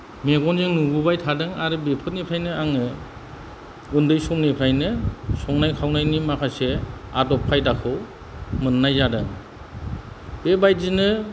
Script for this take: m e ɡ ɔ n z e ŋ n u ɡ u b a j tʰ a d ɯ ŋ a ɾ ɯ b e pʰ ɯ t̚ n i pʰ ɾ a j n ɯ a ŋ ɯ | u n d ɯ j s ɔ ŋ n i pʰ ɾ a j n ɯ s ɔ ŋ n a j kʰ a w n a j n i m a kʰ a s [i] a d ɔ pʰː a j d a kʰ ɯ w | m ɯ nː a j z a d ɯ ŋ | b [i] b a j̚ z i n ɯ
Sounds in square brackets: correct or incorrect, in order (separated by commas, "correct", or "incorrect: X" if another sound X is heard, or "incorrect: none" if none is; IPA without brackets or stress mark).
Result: incorrect: e, incorrect: e